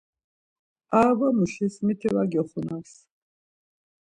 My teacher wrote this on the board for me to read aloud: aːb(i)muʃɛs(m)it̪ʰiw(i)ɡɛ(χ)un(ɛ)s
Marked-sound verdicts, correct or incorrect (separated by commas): incorrect, correct, incorrect, correct, incorrect